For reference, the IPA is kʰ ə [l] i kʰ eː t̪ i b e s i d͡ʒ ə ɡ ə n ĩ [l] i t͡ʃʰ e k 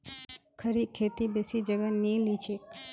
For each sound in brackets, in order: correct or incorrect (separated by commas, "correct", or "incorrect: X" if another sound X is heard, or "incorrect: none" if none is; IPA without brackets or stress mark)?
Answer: incorrect: ɾ, correct